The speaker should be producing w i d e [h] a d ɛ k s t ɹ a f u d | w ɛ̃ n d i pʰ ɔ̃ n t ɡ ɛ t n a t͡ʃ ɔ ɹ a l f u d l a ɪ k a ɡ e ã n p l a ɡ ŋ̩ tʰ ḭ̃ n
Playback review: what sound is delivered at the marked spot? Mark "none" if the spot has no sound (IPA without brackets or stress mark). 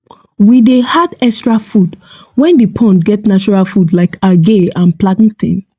h